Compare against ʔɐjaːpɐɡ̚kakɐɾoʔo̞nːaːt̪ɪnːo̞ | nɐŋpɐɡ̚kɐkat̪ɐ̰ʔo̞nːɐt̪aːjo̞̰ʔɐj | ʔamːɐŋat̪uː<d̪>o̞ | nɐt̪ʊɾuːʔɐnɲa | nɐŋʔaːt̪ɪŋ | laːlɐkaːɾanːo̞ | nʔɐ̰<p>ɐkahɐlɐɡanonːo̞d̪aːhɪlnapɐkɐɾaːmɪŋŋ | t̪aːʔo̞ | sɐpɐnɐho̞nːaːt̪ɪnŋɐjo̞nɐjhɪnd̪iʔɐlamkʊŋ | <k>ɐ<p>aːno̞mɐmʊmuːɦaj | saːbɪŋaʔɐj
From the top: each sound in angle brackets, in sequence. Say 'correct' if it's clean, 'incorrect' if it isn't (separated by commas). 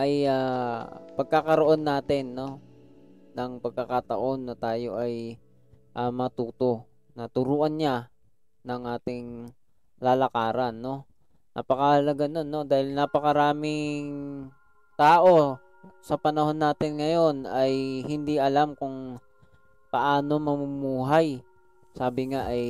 incorrect, correct, incorrect, incorrect